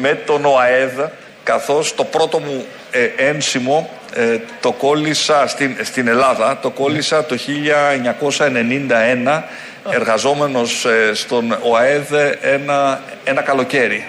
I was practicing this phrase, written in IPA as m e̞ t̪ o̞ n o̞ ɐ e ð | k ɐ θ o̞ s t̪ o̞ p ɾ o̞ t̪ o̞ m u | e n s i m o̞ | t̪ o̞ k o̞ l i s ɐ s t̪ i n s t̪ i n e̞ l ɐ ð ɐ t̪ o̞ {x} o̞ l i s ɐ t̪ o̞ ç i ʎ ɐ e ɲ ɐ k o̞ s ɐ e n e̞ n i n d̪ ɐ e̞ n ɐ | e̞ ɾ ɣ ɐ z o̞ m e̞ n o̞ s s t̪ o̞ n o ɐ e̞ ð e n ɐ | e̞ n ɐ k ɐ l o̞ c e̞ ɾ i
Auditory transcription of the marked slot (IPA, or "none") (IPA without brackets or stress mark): k